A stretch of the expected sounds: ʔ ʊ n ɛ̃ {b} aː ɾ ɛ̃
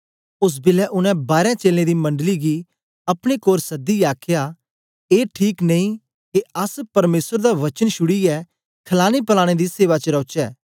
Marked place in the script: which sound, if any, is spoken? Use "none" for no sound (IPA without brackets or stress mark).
b